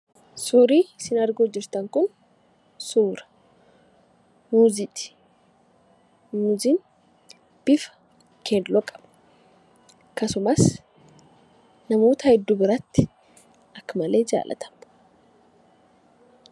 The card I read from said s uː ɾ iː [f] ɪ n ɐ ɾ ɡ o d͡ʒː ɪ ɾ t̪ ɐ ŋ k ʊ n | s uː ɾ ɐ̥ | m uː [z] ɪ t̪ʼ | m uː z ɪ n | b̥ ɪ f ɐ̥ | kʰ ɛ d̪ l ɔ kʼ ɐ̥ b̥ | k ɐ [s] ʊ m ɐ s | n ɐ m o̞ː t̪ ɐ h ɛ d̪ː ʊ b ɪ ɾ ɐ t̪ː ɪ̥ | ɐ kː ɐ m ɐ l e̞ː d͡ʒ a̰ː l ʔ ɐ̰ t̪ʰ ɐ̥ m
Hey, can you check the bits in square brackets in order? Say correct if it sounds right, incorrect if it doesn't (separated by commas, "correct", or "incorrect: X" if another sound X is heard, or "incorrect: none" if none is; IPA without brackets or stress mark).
incorrect: s, correct, correct